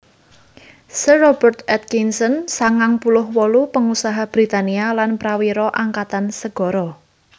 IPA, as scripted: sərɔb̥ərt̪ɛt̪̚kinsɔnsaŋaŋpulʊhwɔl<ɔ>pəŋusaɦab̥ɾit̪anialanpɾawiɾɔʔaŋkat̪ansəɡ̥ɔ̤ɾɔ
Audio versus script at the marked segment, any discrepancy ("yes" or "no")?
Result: yes